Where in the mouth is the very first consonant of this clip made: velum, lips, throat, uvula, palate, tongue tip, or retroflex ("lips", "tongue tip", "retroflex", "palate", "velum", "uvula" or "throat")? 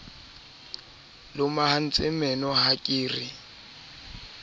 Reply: tongue tip